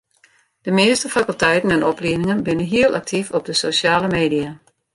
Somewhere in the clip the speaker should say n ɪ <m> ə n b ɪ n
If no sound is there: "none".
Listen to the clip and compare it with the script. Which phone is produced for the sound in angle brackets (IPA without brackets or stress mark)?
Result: ŋ